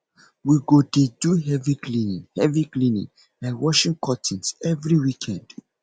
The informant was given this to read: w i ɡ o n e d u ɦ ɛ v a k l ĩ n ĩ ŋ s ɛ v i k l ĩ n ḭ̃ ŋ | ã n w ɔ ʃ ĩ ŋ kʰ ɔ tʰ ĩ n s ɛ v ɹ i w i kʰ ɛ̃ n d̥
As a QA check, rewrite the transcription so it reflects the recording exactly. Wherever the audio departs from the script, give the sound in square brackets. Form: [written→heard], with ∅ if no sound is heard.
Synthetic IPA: w i ɡ o [n→d] e d u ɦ ɛ v [a→i] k l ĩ n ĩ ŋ [s→h] ɛ v i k l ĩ n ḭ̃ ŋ | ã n w ɔ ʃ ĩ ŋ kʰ ɔ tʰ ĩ n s ɛ v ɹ i w i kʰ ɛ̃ n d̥